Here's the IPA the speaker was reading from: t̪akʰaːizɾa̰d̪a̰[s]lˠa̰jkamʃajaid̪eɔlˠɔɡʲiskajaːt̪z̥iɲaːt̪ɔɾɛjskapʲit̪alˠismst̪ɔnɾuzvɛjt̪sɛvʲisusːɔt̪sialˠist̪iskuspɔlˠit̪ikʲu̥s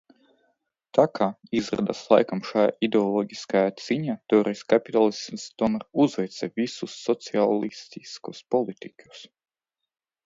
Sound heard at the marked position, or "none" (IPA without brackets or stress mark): s